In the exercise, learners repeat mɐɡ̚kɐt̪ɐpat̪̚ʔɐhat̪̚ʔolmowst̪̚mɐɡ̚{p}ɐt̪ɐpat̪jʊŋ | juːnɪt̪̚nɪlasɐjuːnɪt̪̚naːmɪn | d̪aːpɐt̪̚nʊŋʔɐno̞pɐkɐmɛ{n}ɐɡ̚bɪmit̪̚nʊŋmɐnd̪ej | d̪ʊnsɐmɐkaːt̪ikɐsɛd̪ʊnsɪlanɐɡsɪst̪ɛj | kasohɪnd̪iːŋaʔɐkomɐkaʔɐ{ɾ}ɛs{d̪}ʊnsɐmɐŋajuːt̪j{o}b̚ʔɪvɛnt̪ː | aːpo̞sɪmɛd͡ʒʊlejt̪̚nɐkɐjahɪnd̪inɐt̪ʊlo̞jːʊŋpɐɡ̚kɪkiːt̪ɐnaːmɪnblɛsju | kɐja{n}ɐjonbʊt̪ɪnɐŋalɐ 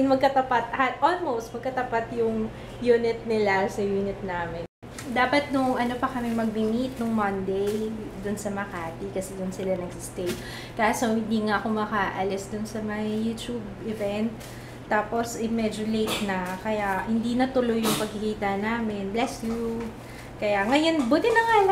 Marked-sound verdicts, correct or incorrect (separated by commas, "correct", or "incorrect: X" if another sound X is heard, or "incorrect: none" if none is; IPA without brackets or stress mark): incorrect: k, incorrect: m, incorrect: l, correct, incorrect: u, incorrect: ŋ